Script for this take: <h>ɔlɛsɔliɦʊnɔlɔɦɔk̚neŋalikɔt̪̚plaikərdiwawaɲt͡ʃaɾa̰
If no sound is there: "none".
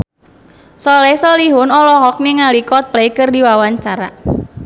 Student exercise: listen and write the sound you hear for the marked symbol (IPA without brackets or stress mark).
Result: s